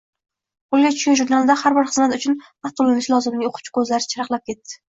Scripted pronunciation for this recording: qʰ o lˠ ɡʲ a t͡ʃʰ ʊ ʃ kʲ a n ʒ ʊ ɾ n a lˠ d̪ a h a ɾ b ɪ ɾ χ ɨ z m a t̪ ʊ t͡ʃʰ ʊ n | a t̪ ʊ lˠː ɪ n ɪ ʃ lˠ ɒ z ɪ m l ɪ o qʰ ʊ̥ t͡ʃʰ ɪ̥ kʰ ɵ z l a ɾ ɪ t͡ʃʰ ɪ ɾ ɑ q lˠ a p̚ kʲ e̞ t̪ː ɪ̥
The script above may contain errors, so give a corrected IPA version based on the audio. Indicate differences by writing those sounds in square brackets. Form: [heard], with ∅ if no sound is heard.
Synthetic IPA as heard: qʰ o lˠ ɡʲ a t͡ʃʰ ʊ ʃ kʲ a n ʒ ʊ ɾ n a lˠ d̪ a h a ɾ b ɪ ɾ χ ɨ z m a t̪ ʊ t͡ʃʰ ʊ n | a t̪ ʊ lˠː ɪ n ɪ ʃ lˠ ɒ z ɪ m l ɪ o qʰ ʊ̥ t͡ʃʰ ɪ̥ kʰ ɵ z l a ɾ ɪ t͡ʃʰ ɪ ɾ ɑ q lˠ a p̚ kʲ e̞ t̪ː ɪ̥